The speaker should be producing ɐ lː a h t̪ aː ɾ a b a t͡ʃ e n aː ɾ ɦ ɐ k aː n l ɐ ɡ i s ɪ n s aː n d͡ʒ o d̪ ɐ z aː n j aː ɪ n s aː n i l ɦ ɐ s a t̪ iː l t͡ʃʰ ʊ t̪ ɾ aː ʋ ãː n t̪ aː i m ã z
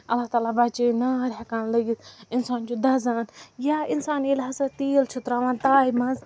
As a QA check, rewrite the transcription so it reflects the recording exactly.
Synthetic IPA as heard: ɐ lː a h t̪ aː l a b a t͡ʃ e n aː ɾ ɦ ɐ k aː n l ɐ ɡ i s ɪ n s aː n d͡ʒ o d̪ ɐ z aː n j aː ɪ n s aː n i l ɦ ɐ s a t̪ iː l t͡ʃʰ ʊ t̪ ɾ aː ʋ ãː n t̪ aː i m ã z